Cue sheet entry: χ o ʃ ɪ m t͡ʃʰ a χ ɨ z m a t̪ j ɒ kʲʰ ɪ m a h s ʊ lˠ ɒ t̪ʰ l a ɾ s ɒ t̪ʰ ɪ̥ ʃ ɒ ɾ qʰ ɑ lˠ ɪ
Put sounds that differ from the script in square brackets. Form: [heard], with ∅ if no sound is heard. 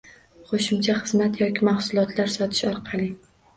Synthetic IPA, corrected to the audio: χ o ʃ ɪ m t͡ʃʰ a χ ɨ z m a t̪ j ɒ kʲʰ ɪ m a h s ʊ lˠ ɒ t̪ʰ l a ɾ s ɒ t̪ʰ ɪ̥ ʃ ɒ ɾ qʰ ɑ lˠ ɪ

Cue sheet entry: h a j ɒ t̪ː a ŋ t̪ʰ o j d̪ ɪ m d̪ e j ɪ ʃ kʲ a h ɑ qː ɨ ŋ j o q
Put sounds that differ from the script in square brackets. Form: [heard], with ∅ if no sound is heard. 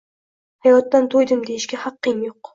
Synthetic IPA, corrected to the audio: h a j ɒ t̪ː a [n] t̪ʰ o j d̪ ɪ m d̪ e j ɪ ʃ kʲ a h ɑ qː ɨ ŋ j o q

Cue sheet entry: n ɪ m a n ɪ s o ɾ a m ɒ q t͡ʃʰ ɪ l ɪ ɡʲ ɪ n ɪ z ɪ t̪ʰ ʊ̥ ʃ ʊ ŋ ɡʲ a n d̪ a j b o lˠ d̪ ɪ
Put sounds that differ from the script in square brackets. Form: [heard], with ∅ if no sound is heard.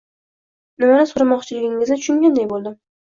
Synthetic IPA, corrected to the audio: n ɪ m a n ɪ s o ɾ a m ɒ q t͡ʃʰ ɪ l ɪ ɡʲ ɪ [ŋ] ɪ z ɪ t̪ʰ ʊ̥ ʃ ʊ ŋ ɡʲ a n d̪ a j b o lˠ d̪ ɪ

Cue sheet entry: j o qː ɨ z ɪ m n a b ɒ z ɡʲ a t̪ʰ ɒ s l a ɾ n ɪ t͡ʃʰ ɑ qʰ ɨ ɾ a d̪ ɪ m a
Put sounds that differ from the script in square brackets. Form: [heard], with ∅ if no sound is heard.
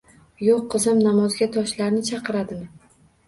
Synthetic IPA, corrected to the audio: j o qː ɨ z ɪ m n a [m] ɒ z ɡʲ a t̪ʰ ɒ [ʃ] l a ɾ n ɪ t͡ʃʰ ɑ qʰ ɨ ɾ a d̪ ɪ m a

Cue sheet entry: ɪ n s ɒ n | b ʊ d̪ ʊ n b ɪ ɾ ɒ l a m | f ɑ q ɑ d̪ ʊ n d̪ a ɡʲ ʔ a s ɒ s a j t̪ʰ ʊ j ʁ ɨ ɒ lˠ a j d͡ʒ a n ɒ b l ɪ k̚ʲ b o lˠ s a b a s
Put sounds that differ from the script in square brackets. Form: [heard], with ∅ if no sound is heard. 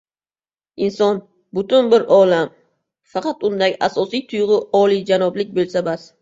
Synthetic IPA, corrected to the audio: ɪ n s ɒ n | b ʊ [t̪] ʊ n b ɪ ɾ ɒ l a m | f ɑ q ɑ [t̪] ʊ n d̪ a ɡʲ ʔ a s ɒ s [i] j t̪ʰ ʊ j ʁ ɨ ɒ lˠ [i] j d͡ʒ a n ɒ b l ɪ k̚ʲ b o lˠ s a b a s

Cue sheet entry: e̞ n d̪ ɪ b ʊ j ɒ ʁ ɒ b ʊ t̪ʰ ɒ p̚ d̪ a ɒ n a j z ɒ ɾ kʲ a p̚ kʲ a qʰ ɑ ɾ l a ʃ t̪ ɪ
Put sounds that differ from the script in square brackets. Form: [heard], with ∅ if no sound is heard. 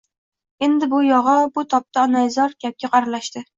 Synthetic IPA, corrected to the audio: e̞ n d̪ ɪ b ʊ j ɒ ʁ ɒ b ʊ t̪ʰ ɒ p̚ [t̪] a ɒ n a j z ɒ ɾ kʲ a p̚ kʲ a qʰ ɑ ɾ l a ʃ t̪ ɪ

